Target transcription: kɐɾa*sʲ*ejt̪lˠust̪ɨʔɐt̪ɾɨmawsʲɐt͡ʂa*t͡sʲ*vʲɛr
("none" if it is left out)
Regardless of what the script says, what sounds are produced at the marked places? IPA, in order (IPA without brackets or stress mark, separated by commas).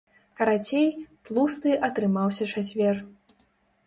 t͡sʲ, t͡sʲ